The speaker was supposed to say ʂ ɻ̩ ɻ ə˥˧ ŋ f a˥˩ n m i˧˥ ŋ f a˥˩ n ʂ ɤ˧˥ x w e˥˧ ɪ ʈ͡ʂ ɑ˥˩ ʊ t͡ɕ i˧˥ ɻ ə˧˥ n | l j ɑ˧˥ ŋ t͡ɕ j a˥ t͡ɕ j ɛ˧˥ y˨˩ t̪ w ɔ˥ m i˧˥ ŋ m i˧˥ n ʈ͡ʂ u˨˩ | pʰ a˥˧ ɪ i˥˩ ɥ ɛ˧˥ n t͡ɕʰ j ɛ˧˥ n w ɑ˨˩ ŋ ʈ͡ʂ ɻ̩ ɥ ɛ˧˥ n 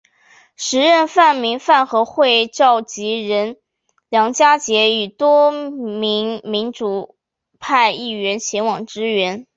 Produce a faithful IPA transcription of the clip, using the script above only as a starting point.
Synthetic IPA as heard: ʂ ɻ̩ ɻ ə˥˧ n f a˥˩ n m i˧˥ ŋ f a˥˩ n x ɤ˧˥ x w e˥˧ ɪ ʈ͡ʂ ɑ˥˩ ʊ t͡ɕ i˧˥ ɻ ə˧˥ n | l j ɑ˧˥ ŋ t͡ɕ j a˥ t͡ɕ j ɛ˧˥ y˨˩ t̪ w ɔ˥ m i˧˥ ŋ m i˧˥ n ʈ͡ʂ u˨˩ | pʰ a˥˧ ɪ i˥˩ ɥ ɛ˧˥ n t͡ɕʰ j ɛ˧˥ n w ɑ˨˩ ŋ ʈ͡ʂ ɻ̩ ɥ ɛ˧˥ n